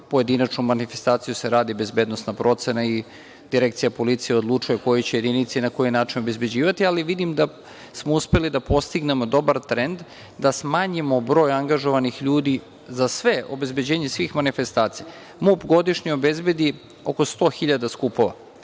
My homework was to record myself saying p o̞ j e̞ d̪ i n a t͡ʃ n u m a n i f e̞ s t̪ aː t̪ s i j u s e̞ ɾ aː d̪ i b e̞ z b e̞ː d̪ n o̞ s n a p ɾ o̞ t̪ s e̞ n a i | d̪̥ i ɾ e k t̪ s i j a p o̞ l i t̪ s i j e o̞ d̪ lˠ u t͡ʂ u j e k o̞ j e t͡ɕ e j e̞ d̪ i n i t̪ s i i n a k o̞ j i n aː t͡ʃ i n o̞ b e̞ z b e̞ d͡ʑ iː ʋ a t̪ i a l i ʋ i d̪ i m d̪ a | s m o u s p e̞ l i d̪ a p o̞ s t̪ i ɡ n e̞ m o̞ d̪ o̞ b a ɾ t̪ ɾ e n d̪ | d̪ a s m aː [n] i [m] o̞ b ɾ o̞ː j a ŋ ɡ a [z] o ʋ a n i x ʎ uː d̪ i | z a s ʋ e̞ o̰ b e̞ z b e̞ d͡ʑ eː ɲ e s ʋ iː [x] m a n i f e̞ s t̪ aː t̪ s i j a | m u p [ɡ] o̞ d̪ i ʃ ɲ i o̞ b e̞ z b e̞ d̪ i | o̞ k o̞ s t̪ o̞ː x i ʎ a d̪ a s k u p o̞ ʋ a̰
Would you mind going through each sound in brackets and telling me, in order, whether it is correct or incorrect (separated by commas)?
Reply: incorrect, correct, incorrect, correct, correct